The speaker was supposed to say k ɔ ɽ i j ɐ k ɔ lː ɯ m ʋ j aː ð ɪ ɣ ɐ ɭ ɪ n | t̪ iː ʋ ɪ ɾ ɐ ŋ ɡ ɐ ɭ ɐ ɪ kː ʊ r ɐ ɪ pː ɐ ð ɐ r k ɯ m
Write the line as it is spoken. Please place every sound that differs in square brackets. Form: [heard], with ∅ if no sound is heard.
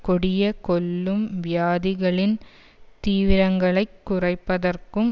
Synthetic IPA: k ɔ ɽ [ɪ] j ɐ k ɔ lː ɯ m ʋ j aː ð ɪ ɣ ɐ ɭ ɪ n | t̪ iː ʋ ɪ ɾ ɐ ŋ ɡ ɐ ɭ ɐ ɪ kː ʊ r ɐ ɪ pː ɐ ð ɐ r k ɯ m